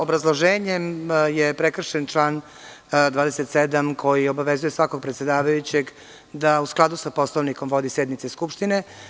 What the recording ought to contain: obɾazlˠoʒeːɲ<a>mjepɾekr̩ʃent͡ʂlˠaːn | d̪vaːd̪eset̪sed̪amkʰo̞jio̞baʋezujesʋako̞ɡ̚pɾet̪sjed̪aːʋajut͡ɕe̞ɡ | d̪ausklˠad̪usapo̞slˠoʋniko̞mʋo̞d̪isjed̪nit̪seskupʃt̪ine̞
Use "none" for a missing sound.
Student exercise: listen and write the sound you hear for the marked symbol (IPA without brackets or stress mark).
e